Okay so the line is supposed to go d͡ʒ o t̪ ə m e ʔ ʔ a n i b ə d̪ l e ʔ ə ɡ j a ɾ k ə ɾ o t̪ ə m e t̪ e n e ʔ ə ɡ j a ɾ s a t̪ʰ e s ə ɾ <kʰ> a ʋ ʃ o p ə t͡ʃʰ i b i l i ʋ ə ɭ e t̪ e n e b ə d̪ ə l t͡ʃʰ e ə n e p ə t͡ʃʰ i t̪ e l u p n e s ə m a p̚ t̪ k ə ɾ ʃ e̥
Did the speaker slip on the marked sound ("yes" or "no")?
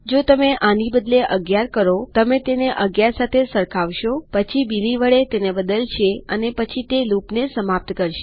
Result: no